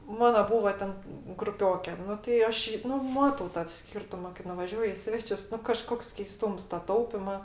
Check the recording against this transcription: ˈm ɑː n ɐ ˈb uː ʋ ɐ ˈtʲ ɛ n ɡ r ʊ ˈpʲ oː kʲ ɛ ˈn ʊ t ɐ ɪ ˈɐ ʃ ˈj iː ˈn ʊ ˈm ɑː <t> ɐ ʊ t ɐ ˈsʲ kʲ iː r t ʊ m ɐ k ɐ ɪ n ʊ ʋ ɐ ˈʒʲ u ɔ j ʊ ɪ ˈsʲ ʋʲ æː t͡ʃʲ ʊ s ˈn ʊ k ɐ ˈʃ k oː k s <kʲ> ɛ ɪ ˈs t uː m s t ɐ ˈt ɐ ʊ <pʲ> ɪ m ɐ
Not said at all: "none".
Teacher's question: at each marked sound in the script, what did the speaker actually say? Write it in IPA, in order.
t, kʲ, pʲ

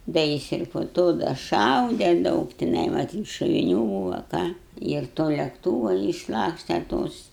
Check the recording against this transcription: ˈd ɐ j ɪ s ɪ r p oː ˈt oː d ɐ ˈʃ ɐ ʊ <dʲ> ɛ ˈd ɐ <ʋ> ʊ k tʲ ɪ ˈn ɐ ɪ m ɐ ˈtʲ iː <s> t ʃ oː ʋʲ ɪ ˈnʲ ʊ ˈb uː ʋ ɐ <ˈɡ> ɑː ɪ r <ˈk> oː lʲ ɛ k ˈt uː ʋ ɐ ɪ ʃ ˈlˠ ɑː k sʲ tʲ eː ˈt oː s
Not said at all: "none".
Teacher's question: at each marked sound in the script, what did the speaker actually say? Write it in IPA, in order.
dʲ, none, none, k, t

